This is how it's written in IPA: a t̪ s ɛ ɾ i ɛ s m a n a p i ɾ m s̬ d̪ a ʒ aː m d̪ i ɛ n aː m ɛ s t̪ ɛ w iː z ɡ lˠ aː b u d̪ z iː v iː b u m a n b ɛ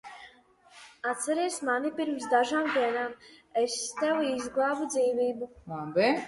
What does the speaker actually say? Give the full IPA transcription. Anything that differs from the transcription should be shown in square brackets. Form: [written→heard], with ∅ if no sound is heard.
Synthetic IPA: a t̪ s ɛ ɾ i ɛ s m a n [a→i] p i ɾ m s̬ d̪ a ʒ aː m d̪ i ɛ n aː m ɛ s t̪ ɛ w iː z ɡ lˠ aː b u d̪ z iː v iː b u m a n b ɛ